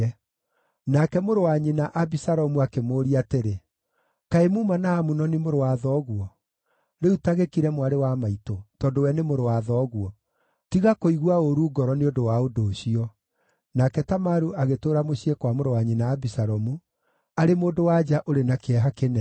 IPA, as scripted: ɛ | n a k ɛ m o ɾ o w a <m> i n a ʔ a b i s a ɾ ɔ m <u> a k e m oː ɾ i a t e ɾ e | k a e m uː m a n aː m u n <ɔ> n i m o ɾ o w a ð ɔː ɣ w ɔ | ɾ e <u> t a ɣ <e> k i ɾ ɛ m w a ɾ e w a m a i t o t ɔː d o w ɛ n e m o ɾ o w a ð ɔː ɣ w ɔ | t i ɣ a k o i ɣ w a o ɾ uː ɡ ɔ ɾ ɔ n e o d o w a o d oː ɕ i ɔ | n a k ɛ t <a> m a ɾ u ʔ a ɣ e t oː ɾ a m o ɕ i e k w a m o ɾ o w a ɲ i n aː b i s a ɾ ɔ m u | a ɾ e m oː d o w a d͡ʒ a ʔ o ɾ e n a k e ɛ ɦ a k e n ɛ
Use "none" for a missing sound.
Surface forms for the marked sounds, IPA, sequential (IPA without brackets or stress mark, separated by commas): ɲ, u, ɔ, u, e, a